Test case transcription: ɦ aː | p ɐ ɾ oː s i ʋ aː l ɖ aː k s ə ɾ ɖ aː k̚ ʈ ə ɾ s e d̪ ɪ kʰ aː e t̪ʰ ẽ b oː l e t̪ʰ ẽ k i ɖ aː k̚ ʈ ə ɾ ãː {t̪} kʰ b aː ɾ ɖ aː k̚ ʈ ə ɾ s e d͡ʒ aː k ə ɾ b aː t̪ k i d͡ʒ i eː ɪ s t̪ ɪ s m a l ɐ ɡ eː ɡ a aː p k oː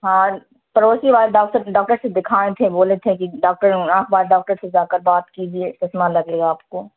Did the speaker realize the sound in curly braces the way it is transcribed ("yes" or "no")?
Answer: no